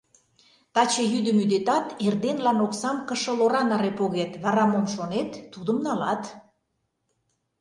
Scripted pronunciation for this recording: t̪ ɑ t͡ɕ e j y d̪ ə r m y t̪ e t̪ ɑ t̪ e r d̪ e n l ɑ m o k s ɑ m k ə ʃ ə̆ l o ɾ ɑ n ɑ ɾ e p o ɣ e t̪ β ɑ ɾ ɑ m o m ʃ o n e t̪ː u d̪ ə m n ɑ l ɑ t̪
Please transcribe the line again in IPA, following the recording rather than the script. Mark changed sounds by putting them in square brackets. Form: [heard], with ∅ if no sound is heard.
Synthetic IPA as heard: t̪ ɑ t͡ɕ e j y d̪ ə [∅] m y [d̪] e t̪ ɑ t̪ e r d̪ e n l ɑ [n] o k s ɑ m k ə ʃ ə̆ l o ɾ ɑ n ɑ ɾ e p o ɣ e t̪ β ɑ ɾ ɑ m o m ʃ o n e t̪ː u d̪ ə m n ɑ l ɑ t̪

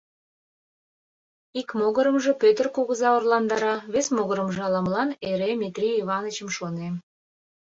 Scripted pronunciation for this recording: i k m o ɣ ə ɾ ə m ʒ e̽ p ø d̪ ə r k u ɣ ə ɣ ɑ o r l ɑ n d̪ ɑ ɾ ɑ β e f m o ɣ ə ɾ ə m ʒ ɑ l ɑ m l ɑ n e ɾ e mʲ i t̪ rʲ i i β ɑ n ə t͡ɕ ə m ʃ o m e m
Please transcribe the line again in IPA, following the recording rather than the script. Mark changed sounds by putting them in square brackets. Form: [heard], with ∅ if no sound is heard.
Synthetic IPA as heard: i k m o ɣ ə ɾ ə m ʒ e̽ p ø [t̪] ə r k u ɣ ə [z] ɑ o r l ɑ n d̪ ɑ ɾ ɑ β e [s] m o ɣ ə ɾ ə m ʒ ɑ l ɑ m l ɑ n e ɾ e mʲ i t̪ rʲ i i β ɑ n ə t͡ɕ ə m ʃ o [n] e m

